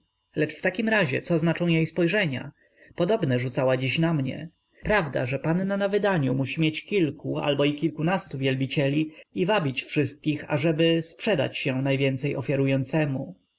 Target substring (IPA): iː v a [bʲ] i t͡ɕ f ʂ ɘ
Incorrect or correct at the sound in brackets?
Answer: correct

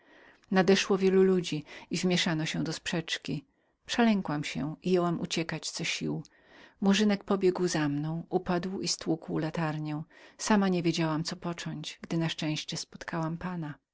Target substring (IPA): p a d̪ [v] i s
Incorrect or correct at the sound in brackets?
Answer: incorrect: w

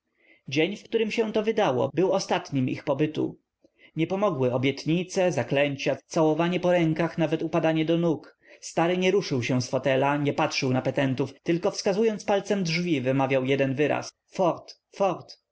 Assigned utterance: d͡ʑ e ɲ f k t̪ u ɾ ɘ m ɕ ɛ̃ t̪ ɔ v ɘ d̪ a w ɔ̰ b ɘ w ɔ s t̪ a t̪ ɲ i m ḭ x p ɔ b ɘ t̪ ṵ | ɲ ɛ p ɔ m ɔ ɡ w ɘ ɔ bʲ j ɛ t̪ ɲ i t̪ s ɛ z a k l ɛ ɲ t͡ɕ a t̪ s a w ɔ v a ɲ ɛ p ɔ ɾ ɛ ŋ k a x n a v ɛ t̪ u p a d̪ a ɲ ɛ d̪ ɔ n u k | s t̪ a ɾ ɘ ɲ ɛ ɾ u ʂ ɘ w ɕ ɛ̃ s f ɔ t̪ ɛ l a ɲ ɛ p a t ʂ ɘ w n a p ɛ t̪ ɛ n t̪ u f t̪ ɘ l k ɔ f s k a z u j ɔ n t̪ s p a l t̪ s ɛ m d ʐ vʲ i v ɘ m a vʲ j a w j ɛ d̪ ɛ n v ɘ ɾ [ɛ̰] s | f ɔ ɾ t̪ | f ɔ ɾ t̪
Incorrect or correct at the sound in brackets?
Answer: incorrect: a̰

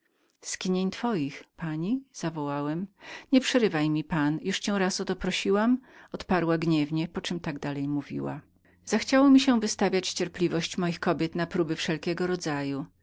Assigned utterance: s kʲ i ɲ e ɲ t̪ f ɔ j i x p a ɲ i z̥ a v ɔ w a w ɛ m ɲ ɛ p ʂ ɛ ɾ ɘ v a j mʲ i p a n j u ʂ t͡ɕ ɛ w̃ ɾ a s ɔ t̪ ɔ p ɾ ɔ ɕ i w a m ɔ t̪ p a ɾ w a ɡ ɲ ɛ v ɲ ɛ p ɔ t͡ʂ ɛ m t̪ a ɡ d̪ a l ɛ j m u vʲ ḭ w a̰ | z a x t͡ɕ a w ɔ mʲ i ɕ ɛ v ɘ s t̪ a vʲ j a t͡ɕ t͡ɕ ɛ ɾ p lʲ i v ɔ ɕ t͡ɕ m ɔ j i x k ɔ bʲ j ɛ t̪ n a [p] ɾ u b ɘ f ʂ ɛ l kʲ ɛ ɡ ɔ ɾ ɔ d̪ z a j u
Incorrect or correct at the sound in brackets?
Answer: correct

